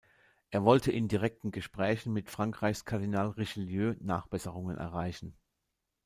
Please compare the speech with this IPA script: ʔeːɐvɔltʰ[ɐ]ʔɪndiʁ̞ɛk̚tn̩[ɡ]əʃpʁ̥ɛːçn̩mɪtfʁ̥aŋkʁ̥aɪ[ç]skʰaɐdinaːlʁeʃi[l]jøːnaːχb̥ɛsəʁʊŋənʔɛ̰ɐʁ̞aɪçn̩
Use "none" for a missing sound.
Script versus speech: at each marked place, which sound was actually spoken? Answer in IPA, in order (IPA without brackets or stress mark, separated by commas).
ə, ɡ, ç, l